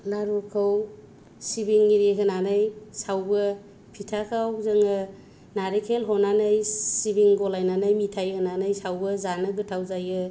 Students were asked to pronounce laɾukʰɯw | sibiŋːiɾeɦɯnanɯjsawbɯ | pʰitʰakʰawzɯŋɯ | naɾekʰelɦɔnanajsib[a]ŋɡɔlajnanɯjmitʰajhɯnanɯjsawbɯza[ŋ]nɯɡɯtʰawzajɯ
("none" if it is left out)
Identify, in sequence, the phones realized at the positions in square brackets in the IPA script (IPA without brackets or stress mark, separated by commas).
i, none